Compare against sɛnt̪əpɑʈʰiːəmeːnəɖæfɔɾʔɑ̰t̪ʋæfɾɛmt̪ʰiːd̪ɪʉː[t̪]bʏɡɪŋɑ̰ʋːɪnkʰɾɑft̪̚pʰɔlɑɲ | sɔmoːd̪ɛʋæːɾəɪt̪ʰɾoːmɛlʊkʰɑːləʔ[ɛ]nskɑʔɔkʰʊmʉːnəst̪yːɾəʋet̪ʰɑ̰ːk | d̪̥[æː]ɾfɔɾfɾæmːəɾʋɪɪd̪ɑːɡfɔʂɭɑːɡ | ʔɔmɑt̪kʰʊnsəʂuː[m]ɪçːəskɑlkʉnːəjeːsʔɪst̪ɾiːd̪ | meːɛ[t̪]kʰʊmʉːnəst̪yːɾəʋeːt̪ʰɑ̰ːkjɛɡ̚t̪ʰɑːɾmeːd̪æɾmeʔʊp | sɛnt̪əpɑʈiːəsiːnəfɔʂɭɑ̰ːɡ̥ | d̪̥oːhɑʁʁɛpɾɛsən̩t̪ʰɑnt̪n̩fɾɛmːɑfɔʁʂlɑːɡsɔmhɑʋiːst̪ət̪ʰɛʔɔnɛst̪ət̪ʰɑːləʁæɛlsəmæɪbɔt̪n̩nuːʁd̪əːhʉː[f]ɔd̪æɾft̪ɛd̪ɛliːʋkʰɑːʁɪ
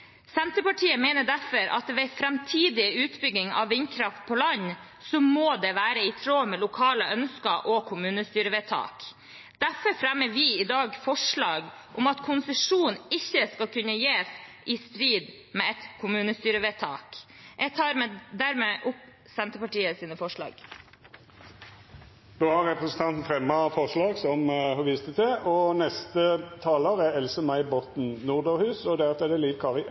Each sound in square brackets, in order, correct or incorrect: correct, incorrect: œ, incorrect: æ, incorrect: n, correct, incorrect: s

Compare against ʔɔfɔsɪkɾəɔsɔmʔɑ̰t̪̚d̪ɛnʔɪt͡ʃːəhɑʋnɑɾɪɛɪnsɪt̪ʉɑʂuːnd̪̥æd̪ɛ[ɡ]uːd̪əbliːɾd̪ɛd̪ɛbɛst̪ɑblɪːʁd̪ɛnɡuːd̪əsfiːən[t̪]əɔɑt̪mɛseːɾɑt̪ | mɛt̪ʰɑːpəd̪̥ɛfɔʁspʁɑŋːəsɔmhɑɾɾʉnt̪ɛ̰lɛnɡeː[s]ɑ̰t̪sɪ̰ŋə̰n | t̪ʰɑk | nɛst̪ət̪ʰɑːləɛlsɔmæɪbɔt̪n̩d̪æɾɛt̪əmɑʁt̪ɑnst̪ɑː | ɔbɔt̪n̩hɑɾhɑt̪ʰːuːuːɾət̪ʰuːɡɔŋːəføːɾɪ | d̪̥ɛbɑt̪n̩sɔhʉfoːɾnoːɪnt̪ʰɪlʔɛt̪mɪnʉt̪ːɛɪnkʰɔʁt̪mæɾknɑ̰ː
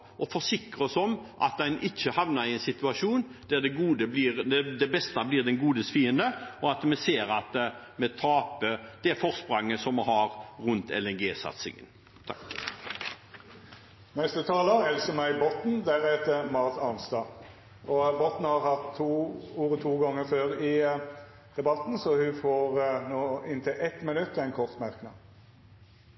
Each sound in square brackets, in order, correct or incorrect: correct, incorrect: d̪, correct

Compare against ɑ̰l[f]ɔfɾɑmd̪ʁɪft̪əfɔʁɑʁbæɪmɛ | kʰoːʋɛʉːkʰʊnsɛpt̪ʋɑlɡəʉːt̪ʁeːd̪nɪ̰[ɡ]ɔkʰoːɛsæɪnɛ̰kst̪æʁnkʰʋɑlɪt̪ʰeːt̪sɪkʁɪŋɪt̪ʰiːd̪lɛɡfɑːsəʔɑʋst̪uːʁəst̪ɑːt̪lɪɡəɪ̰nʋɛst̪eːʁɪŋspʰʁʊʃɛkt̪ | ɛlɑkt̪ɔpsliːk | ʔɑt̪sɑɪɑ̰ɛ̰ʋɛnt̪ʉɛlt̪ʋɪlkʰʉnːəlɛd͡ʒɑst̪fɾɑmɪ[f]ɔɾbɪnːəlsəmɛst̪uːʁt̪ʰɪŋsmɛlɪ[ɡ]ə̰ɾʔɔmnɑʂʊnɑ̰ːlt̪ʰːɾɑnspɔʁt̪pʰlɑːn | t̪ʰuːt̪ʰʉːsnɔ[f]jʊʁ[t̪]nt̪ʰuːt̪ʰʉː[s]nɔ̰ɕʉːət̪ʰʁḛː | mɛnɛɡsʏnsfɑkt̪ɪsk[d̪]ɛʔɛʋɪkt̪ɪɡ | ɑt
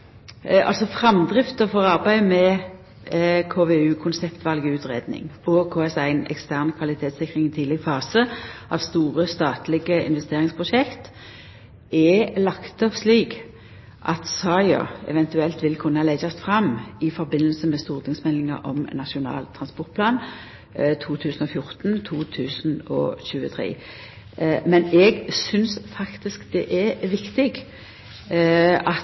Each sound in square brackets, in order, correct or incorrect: incorrect: s, incorrect: ŋ, correct, incorrect: ŋ, correct, correct, correct, correct

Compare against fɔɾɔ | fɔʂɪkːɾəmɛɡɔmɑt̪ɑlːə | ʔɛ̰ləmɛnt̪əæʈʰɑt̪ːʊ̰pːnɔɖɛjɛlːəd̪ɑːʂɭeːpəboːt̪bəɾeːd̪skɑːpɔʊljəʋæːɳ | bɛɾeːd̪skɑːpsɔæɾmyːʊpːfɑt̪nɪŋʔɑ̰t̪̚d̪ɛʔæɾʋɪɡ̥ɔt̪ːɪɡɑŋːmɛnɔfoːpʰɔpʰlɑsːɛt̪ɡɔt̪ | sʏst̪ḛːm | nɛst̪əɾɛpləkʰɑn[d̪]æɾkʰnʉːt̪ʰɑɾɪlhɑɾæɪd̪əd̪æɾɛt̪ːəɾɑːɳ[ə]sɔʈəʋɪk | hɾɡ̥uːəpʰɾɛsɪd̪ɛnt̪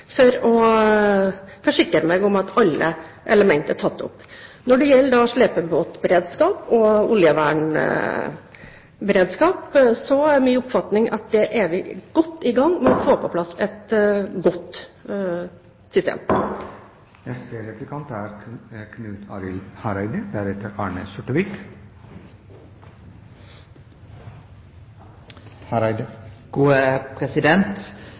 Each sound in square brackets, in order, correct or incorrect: incorrect: t̪, correct

